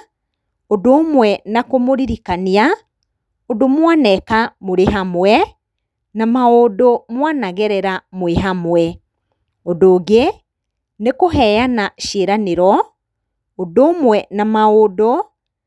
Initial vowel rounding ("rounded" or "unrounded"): rounded